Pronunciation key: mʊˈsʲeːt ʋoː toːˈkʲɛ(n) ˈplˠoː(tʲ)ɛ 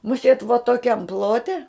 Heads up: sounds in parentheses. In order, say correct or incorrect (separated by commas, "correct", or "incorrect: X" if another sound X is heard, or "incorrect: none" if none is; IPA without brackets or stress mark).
incorrect: m, correct